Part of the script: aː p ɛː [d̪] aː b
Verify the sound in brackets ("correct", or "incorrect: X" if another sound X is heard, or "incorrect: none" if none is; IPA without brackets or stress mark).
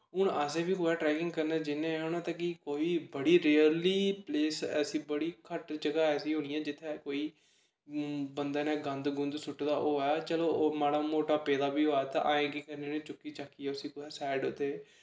correct